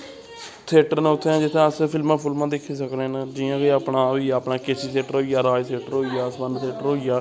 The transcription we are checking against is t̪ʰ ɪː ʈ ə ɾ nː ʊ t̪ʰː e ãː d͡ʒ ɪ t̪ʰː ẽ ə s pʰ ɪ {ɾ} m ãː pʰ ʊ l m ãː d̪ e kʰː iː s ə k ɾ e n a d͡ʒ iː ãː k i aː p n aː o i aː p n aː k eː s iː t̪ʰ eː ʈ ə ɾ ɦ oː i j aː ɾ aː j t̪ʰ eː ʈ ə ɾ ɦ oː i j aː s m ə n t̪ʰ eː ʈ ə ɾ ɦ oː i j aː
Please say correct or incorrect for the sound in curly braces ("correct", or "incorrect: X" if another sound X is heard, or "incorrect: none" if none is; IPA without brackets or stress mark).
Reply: incorrect: l